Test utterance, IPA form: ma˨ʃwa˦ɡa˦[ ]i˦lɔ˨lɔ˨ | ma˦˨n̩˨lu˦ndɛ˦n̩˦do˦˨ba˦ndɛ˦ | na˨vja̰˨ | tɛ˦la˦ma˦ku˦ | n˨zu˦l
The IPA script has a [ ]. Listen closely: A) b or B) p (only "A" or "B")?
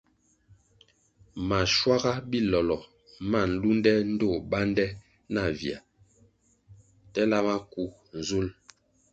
A